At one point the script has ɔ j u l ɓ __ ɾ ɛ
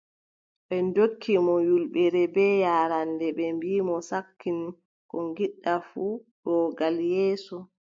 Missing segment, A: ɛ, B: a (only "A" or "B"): A